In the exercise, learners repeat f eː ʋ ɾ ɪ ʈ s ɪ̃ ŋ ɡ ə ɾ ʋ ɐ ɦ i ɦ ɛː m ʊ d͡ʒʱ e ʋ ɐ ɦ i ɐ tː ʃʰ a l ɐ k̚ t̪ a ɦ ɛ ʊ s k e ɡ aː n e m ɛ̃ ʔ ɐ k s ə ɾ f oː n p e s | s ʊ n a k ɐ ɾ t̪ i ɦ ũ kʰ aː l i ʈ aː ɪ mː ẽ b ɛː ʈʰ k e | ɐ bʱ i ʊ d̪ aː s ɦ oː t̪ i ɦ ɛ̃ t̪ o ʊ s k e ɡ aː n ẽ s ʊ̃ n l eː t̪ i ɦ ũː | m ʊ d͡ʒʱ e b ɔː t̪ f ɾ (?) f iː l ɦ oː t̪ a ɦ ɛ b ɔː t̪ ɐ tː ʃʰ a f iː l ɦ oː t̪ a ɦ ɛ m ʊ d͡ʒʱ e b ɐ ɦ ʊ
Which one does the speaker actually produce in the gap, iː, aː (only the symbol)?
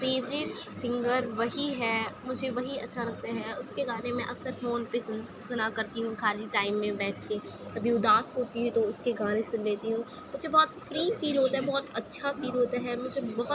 iː